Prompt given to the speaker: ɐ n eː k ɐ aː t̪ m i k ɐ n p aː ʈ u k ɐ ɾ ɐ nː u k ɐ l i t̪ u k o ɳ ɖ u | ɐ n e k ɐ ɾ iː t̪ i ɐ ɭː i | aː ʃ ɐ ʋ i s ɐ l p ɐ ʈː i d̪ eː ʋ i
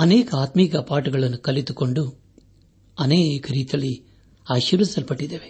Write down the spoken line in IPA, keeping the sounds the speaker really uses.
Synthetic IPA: ɐ n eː k ɐ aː t̪ m i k ɐ p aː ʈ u ɡ ɐ ɭ ɐ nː u k ɐ l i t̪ u k o ɳ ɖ u | ɐ n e k ɐ ɾ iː t̪ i ɐ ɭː i | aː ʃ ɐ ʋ i s ɐ l p ɐ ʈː i d̪ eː ʋ e